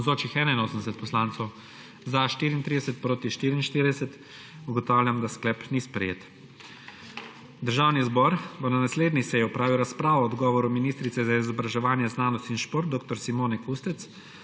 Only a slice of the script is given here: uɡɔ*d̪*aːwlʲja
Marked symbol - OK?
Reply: no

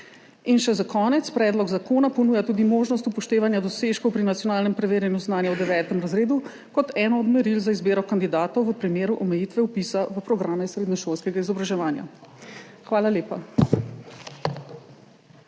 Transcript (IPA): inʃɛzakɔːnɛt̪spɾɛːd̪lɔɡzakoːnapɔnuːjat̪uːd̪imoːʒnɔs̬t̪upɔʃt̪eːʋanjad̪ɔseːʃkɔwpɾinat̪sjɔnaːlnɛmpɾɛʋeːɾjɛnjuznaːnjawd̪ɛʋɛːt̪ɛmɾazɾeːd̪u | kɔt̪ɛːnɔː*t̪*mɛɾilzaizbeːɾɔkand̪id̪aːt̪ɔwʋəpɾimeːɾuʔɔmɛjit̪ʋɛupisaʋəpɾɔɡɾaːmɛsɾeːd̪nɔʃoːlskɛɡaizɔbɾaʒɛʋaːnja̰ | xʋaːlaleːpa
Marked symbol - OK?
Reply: no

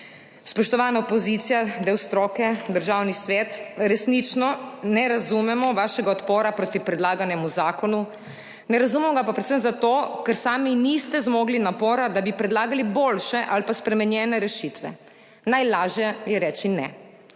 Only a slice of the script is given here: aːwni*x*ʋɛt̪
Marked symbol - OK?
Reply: no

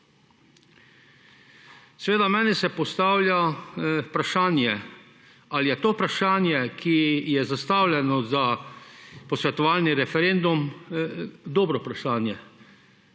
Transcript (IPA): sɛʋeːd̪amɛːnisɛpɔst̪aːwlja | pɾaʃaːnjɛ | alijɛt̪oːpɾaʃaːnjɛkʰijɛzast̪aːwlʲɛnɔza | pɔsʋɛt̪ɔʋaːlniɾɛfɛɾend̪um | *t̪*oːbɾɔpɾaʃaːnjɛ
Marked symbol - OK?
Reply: no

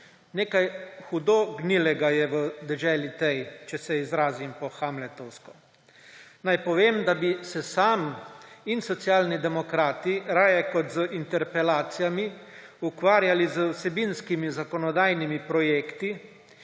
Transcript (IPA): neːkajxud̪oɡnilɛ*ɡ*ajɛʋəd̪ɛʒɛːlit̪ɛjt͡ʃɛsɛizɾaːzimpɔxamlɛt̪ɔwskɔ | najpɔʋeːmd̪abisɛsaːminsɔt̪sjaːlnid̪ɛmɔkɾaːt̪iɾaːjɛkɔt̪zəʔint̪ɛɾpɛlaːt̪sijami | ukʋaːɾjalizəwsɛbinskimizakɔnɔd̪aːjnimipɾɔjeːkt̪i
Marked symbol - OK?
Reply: yes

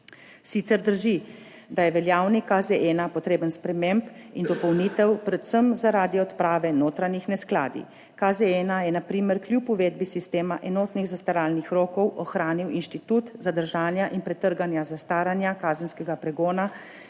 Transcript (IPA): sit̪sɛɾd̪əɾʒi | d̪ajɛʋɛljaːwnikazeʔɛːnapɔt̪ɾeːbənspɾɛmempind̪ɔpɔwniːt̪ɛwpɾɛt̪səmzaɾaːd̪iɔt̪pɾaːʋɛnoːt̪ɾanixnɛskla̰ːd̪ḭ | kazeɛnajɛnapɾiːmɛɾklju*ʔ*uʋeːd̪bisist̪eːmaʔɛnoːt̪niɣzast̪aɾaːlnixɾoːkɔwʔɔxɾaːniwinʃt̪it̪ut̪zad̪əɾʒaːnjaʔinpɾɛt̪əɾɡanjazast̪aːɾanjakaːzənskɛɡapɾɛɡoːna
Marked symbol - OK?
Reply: no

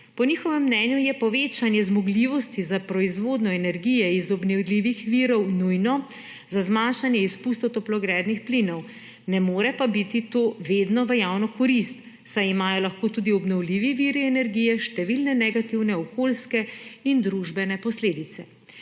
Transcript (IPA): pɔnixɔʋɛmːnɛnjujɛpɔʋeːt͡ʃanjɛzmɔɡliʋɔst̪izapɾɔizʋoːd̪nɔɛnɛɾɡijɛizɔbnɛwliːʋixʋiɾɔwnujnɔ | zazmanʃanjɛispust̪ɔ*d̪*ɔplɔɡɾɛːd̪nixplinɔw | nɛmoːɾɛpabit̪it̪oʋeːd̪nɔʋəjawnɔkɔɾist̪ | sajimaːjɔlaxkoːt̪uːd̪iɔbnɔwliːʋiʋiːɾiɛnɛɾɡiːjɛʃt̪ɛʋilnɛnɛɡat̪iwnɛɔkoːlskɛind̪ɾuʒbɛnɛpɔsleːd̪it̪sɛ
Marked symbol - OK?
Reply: no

